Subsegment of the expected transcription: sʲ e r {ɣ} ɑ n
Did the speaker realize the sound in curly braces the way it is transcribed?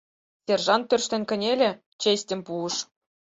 no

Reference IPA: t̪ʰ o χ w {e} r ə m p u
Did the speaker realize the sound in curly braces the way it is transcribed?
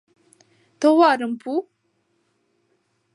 no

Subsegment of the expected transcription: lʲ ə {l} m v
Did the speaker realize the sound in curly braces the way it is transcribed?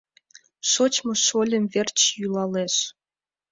no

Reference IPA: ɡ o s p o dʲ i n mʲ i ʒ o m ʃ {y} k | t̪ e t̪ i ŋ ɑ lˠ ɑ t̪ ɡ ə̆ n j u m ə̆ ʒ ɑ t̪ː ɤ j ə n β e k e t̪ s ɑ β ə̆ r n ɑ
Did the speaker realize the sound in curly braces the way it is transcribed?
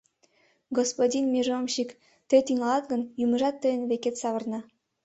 no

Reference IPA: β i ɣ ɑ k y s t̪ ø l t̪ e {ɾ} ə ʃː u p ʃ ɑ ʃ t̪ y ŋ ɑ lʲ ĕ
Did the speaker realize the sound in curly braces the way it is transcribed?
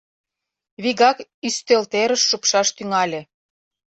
yes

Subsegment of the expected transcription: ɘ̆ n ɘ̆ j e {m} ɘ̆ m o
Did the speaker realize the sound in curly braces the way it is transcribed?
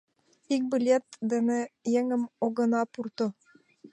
no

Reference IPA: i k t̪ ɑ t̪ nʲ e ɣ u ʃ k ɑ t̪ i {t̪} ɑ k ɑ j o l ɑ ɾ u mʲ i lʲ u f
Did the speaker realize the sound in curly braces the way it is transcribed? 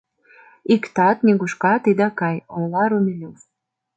no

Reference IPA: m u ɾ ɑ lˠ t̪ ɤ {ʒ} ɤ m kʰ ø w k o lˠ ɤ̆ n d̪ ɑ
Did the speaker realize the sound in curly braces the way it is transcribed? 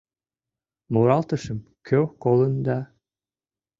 no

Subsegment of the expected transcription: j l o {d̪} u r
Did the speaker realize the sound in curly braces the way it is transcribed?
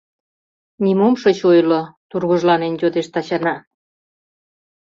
no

